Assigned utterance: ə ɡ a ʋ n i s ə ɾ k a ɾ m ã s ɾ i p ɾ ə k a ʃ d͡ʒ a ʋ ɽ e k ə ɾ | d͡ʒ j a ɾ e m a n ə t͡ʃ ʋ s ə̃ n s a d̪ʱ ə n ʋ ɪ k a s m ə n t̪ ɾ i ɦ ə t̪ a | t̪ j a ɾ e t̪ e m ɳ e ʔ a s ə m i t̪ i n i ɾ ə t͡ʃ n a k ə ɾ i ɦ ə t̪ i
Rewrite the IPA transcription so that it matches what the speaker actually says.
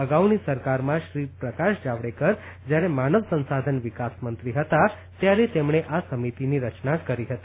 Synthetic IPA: ə ɡ a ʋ n i s ə ɾ k a ɾ m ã ʃ ɾ i p ɾ ə k a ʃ d͡ʒ a ʋ ɽ e k ə ɾ | d͡ʒ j a ɾ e m a n ə ʋ s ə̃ n s a d̪ʱ ə n ʋ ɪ k a s m ə n t̪ ɾ i ɦ ə t̪ a | t̪ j a ɾ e t̪ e m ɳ e ʔ a s ə m i t̪ i n i ɾ ə t͡ʃ n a k ə ɾ i ɦ ə t̪ i